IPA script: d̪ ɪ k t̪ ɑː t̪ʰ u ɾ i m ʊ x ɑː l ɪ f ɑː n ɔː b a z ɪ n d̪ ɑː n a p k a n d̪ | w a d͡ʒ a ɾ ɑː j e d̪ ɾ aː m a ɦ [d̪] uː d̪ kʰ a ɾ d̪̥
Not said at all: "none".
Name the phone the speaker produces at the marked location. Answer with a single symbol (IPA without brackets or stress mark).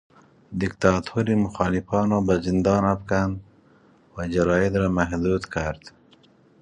d̪